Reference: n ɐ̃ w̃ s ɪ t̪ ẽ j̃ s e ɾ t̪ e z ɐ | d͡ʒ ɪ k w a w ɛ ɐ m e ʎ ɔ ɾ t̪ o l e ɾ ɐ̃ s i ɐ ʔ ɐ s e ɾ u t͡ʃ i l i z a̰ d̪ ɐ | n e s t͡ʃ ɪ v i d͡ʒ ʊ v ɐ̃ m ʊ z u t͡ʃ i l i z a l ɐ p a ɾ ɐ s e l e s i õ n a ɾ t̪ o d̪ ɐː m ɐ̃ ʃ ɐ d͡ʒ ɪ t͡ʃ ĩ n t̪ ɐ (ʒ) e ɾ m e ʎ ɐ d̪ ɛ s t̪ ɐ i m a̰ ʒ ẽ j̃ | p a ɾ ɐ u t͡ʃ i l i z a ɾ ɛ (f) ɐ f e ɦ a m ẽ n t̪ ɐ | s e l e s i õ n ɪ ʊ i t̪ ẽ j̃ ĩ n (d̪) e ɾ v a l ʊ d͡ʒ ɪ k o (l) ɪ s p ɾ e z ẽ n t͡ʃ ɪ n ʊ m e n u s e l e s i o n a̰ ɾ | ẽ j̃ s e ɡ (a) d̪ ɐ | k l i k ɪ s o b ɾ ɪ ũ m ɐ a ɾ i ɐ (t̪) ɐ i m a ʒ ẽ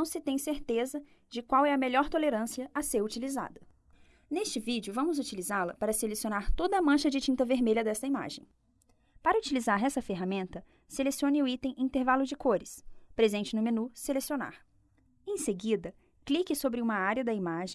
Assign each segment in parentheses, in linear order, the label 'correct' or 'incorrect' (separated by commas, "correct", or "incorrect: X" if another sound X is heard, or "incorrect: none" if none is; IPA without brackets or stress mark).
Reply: incorrect: v, incorrect: s, incorrect: t̪, incorrect: ɾ, incorrect: i, incorrect: d̪